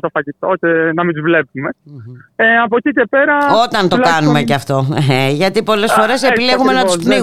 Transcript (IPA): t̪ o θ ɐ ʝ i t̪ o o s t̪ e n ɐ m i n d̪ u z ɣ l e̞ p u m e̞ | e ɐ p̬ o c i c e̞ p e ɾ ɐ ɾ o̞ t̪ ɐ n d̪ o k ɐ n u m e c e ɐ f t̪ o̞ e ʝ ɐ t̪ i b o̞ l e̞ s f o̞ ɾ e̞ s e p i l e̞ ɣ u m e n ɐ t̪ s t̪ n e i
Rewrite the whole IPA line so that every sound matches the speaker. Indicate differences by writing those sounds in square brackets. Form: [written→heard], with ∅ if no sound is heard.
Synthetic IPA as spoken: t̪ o [θ→f] ɐ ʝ i t̪ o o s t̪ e n ɐ m i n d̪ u z [ɣ→v] l e̞ p u m e̞ | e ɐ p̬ o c i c e̞ p e ɾ ɐ [ɾ→∅] o̞ t̪ ɐ n [d̪→t̪] o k ɐ n u m e c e ɐ f t̪ o̞ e ʝ ɐ t̪ i [b→p] o̞ l e̞ s f o̞ ɾ e̞ s e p i l e̞ ɣ u m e n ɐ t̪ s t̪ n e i